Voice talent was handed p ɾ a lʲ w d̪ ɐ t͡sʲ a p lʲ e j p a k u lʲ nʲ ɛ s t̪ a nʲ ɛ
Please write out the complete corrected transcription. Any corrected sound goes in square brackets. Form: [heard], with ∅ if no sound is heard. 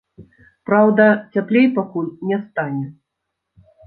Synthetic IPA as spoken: p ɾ a [∅] w d̪ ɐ t͡sʲ a p lʲ e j p a k u lʲ nʲ ɛ s t̪ a nʲ ɛ